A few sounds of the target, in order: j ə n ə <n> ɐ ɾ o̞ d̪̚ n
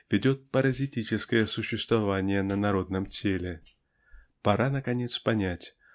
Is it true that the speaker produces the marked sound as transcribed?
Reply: yes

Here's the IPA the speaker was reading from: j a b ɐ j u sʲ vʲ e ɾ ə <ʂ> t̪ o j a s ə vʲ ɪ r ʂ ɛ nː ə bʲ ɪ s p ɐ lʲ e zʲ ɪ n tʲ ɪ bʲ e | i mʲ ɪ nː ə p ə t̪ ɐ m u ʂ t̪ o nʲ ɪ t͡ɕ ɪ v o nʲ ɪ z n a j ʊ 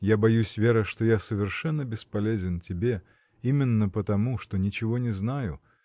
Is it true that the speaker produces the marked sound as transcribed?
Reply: yes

